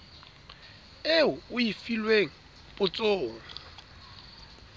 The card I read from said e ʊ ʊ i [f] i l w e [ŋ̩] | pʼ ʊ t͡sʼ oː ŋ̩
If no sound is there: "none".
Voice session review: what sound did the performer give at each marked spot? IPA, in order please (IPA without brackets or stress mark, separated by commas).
f, ŋ̩